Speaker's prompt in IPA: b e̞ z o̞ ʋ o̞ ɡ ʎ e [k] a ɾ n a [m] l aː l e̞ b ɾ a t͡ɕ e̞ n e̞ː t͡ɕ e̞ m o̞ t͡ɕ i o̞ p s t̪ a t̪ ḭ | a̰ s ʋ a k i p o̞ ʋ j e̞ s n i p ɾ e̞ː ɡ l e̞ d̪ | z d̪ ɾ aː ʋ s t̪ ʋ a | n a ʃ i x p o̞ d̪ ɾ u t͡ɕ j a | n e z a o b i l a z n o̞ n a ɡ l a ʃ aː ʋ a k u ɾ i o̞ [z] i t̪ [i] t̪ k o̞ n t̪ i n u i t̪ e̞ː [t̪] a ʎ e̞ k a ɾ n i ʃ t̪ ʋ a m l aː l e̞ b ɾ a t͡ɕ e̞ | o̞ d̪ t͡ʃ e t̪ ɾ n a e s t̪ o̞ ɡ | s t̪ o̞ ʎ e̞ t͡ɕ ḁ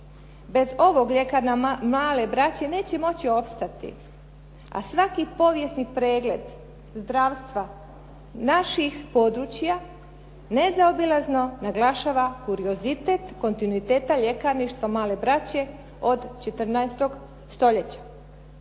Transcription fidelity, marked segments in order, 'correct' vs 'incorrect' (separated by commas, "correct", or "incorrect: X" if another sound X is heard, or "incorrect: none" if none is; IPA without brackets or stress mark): correct, correct, correct, incorrect: e, correct